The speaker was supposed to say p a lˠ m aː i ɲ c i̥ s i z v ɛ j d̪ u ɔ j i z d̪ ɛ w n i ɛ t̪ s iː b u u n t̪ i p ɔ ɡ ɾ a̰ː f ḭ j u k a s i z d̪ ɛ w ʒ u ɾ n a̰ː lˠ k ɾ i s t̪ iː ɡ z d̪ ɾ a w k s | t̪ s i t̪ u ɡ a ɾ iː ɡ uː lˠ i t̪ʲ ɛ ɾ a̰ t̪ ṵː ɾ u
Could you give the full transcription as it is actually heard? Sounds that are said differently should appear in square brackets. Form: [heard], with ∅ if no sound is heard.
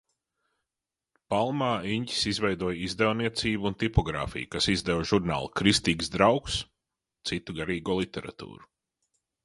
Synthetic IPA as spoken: p a lˠ m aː i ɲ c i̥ s i z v ɛ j d̪ u ɔ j i z d̪ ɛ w n i ɛ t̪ s iː b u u n t̪ i p ɔ ɡ ɾ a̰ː f ḭ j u k a s i z d̪ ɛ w ʒ u ɾ n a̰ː lˠ k ɾ i s t̪ iː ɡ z d̪ ɾ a w k s | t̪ s i t̪ u ɡ a ɾ iː ɡ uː lˠ i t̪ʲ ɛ ɾ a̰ t̪ ṵː ɾ u